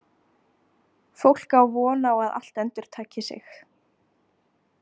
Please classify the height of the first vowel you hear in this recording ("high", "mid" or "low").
mid